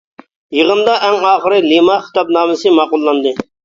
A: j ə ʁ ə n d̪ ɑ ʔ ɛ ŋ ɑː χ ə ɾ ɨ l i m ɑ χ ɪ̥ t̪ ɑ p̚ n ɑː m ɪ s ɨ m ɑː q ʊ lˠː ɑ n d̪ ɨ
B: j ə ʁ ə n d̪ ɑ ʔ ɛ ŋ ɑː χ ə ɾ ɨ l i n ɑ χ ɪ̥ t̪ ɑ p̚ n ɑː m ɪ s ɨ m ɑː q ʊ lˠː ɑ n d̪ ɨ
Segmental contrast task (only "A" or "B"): A